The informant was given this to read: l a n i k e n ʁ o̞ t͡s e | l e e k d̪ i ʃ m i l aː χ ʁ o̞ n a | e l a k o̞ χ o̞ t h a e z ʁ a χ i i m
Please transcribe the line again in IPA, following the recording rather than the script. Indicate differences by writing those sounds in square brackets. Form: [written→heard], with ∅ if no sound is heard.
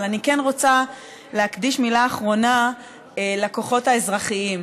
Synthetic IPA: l a n i k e n ʁ o̞ t͡s [e→a] | l e [e→a] k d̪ i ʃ m i l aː χ ʁ o̞ n a | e l a k o̞ χ o̞ t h a e z ʁ a χ i i m

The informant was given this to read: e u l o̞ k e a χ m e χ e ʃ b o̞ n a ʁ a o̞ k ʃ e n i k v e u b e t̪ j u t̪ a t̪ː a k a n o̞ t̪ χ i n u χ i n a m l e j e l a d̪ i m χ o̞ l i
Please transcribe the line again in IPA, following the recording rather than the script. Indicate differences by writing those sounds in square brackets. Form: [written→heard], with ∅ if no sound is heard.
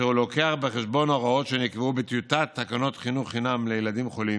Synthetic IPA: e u l o̞ k e a χ [m→b] e χ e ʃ b o̞ n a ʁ a o̞ [k→t] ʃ e n i k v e u b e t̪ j u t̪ a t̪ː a k a n o̞ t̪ χ i n u χ i n a m l e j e l a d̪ i m χ o̞ l i

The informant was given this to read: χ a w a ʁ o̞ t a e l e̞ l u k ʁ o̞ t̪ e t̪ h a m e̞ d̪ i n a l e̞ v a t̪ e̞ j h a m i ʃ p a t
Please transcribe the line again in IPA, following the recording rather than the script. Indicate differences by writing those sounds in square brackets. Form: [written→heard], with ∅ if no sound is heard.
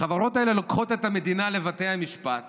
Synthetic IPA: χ a [w→v] a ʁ o̞ t a e l e̞ l [u→o] k [ʁ→χ] o̞ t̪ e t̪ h a m e̞ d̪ i n a l e̞ v a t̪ e̞ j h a m i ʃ p a t

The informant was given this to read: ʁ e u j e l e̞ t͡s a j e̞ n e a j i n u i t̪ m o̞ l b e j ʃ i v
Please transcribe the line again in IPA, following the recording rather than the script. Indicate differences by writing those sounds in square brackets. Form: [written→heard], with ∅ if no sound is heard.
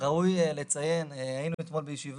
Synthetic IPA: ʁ [e→a] u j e l e̞ t͡s a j e̞ n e a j i n u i t̪ m o̞ l b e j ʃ i v

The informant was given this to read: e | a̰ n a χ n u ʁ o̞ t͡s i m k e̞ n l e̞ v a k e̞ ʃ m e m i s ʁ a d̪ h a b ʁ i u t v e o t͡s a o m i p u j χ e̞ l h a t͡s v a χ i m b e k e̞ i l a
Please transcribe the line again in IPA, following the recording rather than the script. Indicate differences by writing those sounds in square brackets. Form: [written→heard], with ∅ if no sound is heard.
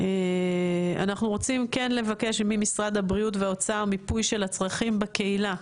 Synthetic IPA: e | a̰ n a χ n u ʁ o̞ t͡s i m k e̞ n l e̞ v a k e̞ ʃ m [e→i] m i s ʁ a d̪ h a b ʁ i u t v e o t͡s a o m i p u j [χ→ʃ] e̞ l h a t͡s [v→ʁ] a χ i m b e k e̞ i l a

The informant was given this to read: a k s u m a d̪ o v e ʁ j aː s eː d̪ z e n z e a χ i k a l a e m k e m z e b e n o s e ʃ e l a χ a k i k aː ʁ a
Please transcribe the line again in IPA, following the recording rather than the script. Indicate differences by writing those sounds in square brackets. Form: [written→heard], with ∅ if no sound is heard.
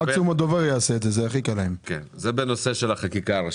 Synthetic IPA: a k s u m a d̪ o v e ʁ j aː s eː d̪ z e [n→∅] z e a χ i k a l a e m k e [m→n] z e b e n o s e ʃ e l a χ a k i k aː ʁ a

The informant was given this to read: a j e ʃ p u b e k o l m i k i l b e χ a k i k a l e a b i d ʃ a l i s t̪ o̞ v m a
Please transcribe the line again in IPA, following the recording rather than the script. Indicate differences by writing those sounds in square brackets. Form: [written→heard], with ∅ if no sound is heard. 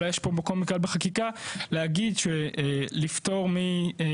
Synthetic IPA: a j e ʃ p [u→o] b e k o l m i k [i→a] l b e χ a k i k a l e a [b→ɡ] i d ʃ [a→e] l i [s→f] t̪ o̞ [v→ʁ] m [a→i]

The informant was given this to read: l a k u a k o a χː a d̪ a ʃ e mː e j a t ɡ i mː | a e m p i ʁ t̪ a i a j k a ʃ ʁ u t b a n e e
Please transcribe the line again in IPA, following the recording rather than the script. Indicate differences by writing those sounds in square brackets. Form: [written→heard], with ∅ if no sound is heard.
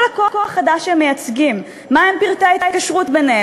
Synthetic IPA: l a k [u→o] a k o a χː a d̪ a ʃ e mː e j a [t→t͡s] ɡ i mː | a e m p i ʁ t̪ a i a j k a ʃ ʁ u t b [a→e] n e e

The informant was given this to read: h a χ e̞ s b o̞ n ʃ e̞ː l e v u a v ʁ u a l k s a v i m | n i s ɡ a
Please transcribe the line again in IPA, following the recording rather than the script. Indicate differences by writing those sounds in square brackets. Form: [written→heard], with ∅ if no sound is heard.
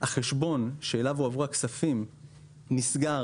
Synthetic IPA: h a χ e̞ [s→ʃ] b o̞ n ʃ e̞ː l [e→a] v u a v ʁ u a [l→∅] k s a [v→f] i m | n i s ɡ a

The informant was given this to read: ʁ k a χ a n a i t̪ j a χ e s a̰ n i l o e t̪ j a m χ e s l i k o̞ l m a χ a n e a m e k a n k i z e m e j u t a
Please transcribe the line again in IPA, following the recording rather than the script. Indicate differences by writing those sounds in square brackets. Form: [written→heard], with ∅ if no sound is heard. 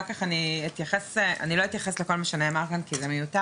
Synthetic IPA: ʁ k a χ a n [a→i] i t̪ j a χ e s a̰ n i l o [e→i] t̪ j a [m→∅] χ e s l [i→e] k o̞ l m a [χ→ʃ] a n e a m [e→a] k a n k i z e m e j u t a

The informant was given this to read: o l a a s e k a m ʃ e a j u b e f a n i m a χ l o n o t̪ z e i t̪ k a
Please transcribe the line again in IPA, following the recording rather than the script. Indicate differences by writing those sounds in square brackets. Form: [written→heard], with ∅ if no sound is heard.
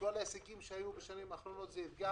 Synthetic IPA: o l a [a→e] s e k [a→i] m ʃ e a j u b e [f→ʃ] a n i m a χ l o n o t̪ z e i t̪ [k→ɡ] a

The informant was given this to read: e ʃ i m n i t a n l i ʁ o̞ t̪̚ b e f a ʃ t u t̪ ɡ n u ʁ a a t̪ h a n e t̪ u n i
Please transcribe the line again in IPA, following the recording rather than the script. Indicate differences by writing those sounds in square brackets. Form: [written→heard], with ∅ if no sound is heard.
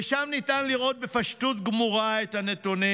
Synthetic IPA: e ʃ [i→a] m n i t a n l i ʁ o̞ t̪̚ b e f a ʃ t u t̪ ɡ [n→m] u ʁ a [a→e] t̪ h a n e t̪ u n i

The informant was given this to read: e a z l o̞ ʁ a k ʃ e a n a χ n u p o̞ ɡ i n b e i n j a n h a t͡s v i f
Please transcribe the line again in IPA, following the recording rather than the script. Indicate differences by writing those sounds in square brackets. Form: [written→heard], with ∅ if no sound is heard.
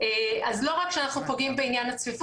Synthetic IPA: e a z l o̞ ʁ a k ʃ e a n a χ n u p o̞ ɡ i [n→m] b e i n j a n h a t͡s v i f

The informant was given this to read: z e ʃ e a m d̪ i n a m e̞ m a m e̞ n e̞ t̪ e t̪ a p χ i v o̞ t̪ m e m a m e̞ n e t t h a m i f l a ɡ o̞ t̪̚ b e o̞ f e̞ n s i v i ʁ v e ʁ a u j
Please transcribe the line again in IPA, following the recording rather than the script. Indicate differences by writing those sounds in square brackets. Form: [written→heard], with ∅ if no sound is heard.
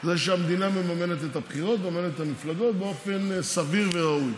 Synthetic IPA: z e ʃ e a m d̪ i n a m e̞ m a m e̞ n e̞ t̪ e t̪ a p χ i [v→ʁ] o̞ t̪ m e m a m e̞ n e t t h a m i f l a ɡ o̞ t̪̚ b e o̞ f e̞ n s [i→a] v i ʁ v e ʁ a u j

